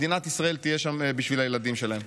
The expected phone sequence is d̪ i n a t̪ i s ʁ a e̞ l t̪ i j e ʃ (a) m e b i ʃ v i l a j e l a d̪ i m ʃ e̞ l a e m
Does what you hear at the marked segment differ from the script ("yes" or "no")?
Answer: no